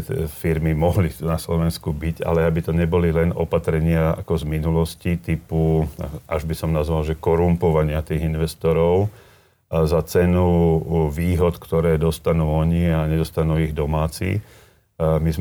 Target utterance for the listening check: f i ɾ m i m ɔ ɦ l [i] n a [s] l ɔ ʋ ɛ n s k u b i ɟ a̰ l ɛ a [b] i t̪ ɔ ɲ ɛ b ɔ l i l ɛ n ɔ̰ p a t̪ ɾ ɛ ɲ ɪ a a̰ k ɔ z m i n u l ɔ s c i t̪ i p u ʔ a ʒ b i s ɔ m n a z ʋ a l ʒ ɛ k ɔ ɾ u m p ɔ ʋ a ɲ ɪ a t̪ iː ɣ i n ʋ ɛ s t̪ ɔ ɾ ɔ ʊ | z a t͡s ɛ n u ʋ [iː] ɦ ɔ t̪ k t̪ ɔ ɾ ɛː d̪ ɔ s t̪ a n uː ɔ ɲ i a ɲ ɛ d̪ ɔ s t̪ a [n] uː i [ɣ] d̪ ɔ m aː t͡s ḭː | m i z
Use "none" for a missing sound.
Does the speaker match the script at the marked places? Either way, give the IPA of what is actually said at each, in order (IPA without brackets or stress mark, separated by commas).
i, s, b, iː, n, ɣ